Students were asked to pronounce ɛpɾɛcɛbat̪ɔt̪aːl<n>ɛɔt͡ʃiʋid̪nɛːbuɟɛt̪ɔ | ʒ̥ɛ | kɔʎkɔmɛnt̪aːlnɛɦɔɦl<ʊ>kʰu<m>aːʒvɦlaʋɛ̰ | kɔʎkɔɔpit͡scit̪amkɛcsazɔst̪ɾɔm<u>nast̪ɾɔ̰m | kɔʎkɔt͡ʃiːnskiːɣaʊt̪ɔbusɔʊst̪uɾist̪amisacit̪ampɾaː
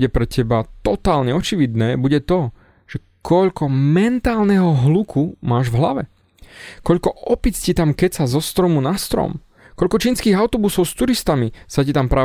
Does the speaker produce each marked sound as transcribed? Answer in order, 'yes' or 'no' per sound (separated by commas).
no, no, yes, yes